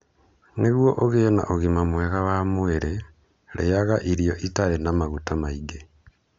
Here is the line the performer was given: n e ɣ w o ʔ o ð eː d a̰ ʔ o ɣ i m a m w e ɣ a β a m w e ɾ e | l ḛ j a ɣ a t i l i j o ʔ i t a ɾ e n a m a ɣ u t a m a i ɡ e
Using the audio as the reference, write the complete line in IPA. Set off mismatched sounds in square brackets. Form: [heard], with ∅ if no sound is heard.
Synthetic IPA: n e ɣ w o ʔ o [ɣ] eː [n] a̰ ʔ o ɣ i m a m w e ɣ a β a m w e ɾ e | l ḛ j a ɣ a [ʔ] i [ɾ] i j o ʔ i t a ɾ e n a m a ɣ u t a m a i ɡ e